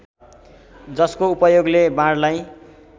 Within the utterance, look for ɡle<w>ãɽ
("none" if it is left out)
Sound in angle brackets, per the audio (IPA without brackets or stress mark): b